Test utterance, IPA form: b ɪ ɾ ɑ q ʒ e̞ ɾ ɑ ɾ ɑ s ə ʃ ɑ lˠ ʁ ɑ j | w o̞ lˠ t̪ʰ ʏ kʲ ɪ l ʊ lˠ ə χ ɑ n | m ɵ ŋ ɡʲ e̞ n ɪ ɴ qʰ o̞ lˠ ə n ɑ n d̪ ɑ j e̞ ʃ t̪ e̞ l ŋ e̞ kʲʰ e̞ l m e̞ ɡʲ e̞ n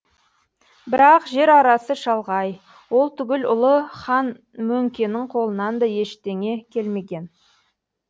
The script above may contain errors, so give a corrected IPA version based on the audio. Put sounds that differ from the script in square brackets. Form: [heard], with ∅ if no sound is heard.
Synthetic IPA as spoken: b ɪ ɾ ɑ q ʒ e̞ ɾ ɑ ɾ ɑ s ə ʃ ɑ lˠ ʁ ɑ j | w o̞ lˠ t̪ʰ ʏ [ɡʲ] ɪ l ʊ lˠ ə χ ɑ n | m ɵ ŋ [kʲ] e̞ n ɪ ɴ qʰ o̞ lˠ ə n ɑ n d̪ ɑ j e̞ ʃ t̪ e̞ [∅] ŋ e̞ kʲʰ e̞ l m e̞ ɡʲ e̞ n